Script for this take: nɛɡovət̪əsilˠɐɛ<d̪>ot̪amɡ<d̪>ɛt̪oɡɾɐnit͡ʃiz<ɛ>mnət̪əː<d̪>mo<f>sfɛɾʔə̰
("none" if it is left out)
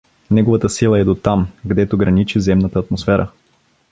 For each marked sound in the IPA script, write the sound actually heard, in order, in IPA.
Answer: d̪, d̪, ɛ, t̪, none

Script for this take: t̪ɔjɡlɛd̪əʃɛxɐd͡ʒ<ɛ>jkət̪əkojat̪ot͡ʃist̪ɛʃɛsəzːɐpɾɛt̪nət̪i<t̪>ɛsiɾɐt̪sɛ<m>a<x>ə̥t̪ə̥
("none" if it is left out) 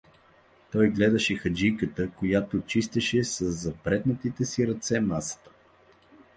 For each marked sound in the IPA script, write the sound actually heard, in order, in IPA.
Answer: i, t̪, m, s

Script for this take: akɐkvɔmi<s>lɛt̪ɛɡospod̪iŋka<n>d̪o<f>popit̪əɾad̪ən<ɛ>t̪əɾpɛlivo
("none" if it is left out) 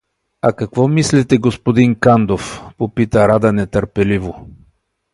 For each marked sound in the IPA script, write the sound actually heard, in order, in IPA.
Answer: s, n, f, ɛ

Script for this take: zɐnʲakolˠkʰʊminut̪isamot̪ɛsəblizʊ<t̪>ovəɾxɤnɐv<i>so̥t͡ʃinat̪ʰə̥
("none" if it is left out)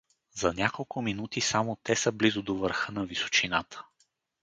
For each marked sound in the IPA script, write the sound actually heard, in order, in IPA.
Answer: d̪, i

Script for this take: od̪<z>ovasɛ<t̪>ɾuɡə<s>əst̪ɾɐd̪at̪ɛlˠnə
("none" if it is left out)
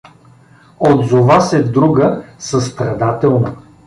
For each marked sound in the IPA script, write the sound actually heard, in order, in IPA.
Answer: z, d̪, s

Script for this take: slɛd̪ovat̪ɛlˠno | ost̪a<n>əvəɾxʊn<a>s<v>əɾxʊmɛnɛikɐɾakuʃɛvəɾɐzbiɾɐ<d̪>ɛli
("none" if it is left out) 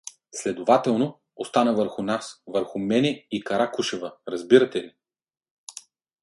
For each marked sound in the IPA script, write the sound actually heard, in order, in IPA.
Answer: n, a, v, t̪

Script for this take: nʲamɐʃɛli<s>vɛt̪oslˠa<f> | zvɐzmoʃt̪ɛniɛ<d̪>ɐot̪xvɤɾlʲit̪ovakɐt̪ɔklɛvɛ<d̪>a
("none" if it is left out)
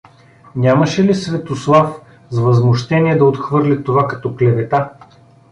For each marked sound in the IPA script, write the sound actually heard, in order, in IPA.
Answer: s, f, d̪, t̪

